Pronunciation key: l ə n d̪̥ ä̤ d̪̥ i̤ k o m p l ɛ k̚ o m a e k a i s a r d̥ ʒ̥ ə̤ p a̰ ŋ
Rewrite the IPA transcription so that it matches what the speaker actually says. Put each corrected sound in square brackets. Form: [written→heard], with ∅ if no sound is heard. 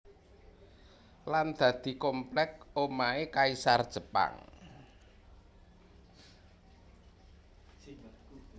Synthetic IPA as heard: l [ə→a] n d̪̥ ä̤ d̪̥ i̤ k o m p l ɛ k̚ o m a e k a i s a r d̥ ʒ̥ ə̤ p a̰ ŋ